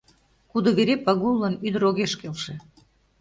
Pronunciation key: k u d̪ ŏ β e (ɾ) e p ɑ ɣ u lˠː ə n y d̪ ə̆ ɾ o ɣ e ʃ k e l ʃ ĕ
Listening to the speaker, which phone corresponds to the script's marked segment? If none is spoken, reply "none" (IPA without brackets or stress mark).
ɾ